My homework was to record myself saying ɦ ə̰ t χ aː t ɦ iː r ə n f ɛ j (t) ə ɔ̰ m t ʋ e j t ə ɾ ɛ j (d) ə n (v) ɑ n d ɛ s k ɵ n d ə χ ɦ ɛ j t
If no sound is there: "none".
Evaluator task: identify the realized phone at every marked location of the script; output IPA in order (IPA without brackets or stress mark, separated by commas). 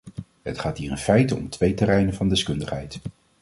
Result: t, n, v